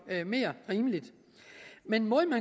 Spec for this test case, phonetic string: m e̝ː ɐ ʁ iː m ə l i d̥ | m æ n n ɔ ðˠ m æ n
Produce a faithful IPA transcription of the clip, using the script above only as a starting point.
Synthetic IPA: m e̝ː ɐ ʁ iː m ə l i d̥ | m e n m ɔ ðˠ m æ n